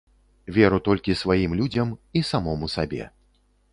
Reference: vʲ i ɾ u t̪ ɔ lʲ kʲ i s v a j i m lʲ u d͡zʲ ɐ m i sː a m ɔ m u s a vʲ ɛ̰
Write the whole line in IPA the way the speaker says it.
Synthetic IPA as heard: vʲ ɛ ɾ u t̪ ɔ lʲ kʲ i s v a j i m lʲ u d͡zʲ ɐ m i s a m ɔ m u s a bʲ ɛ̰